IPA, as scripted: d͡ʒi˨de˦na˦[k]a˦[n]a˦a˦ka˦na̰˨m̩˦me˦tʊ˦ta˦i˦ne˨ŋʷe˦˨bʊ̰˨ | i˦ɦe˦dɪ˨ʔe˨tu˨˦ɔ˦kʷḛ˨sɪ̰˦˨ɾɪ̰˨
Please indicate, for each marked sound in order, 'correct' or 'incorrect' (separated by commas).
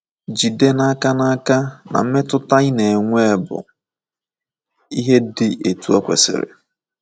correct, correct